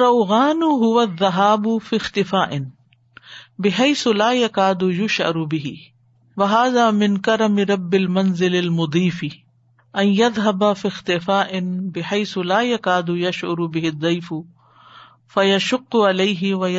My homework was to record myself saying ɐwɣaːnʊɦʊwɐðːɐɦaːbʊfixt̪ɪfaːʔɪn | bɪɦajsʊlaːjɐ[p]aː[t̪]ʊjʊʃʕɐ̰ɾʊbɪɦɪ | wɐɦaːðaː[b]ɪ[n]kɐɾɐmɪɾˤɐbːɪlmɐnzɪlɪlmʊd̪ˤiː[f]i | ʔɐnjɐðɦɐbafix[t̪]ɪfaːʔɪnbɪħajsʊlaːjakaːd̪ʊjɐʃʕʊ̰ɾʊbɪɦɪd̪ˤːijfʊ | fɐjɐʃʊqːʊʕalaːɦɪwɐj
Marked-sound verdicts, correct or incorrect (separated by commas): incorrect, incorrect, incorrect, correct, correct, correct